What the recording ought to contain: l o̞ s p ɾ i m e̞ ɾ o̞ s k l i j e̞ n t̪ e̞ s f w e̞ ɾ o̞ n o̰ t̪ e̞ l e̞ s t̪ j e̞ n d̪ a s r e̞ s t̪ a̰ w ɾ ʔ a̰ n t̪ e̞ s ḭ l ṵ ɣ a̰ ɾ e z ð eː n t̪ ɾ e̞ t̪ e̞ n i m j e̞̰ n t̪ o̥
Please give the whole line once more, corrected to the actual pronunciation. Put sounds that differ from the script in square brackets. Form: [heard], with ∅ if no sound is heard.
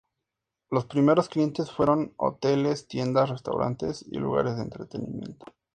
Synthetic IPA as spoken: l o̞ s p ɾ i m e̞ ɾ o̞ s k l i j e̞ n t̪ e̞ s f w e̞ ɾ o̞ n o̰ t̪ e̞ l e̞ s t̪ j e̞ n d̪ a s r e̞ s t̪ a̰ w ɾ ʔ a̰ n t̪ e̞ s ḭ l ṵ ɣ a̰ ɾ e z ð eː n t̪ ɾ e̞ t̪ e̞ n i m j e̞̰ n t̪ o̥